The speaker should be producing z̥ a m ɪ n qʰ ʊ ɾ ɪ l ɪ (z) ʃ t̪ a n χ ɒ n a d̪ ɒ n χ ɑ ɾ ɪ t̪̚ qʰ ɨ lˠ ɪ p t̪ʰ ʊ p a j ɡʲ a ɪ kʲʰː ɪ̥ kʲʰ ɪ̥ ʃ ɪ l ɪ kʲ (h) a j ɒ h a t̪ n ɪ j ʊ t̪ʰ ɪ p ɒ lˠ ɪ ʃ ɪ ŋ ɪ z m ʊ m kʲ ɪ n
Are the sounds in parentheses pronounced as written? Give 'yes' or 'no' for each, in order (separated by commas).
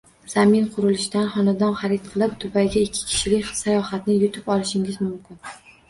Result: no, no